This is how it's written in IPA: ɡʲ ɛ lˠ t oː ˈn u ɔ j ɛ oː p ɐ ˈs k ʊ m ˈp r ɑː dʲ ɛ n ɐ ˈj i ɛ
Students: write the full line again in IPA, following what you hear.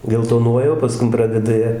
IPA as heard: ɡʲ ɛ lˠ t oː ˈn u ɔ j ɛ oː p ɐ ˈs k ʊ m ˈp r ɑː dʲ ɛ d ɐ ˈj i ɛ